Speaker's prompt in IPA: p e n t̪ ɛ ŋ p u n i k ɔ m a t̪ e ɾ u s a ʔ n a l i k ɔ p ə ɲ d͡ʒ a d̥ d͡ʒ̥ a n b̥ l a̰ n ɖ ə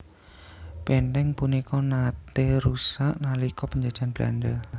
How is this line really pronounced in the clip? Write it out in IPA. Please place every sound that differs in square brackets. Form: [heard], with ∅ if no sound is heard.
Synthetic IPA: p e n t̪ ɛ ŋ p u n i k ɔ [n] a t̪ e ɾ u s a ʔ n a l i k ɔ p ə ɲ d͡ʒ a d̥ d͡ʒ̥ a n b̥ l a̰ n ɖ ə